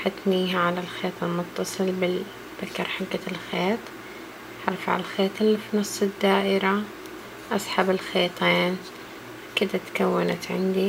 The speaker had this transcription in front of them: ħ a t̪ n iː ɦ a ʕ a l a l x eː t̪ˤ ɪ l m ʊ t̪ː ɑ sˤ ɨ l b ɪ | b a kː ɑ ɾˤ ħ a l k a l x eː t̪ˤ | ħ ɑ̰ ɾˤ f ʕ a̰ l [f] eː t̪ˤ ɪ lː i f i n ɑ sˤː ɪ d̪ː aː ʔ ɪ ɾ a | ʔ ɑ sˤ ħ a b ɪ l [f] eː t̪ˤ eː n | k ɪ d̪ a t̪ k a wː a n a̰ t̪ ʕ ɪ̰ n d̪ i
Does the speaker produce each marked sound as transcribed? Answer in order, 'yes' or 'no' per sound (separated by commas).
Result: no, no